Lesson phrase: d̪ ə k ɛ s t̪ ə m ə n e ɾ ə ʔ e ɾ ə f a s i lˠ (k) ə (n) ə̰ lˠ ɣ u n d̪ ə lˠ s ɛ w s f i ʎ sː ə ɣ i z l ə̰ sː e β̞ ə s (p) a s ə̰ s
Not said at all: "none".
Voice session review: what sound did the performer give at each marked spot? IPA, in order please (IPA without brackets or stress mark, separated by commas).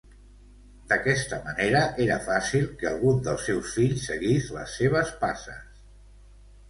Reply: k, none, p